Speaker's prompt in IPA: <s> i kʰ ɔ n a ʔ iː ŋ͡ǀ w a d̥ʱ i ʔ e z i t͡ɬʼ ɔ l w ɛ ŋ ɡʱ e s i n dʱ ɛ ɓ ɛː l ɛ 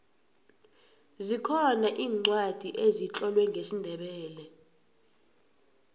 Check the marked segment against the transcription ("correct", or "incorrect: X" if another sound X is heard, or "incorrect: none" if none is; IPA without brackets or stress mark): incorrect: z